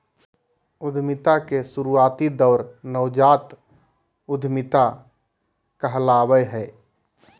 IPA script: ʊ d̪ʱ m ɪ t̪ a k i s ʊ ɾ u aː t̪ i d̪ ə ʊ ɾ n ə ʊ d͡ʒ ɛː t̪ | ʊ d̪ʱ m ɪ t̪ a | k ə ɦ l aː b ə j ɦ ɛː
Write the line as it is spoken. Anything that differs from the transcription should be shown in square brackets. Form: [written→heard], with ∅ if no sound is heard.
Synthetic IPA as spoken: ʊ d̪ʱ m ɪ t̪ a k [i→e] s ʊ ɾ u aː t̪ i d̪ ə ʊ ɾ n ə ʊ d͡ʒ [ɛː→aː] t̪ | ʊ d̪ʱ m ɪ t̪ a | k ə ɦ l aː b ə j ɦ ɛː